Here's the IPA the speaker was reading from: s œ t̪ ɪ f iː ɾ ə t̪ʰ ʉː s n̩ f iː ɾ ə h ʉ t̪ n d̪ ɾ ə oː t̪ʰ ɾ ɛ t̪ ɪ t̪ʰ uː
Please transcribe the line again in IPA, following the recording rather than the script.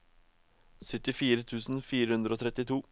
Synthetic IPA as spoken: s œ t̪ ɪ f iː ɾ ə t̪ʰ ʉː s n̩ f iː ɾ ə h ʉ n d̪ ɾ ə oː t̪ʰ ɾ ɛ t̪ ɪ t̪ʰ uː